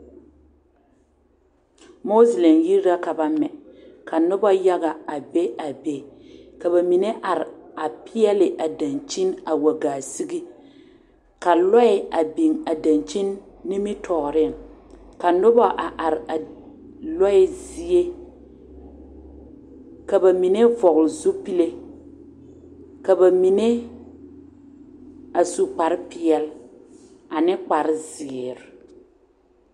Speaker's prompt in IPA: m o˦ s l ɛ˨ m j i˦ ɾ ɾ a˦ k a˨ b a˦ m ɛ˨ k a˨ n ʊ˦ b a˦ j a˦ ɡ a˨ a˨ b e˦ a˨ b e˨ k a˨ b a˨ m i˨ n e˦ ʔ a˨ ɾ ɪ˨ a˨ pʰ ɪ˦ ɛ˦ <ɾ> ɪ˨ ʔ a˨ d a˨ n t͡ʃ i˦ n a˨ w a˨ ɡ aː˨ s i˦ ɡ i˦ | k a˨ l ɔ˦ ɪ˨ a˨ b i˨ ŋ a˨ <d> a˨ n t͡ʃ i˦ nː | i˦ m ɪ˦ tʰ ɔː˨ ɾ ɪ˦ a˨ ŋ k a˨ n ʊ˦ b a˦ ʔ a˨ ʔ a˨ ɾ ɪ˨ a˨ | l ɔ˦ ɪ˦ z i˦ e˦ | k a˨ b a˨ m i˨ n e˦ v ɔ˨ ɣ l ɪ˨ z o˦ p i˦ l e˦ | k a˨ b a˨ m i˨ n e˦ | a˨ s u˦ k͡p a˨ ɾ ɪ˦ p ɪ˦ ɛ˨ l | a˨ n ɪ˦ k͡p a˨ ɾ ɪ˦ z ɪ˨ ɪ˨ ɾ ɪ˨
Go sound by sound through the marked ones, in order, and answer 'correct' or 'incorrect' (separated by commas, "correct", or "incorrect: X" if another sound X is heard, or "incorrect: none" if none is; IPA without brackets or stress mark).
incorrect: l, correct